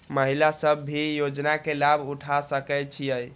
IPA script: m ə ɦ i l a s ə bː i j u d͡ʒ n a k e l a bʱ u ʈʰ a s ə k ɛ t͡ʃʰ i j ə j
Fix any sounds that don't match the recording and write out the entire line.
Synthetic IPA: m ə ɦ i l a s ə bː i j o d͡ʒ n a k e l a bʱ u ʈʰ a s ə k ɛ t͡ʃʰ i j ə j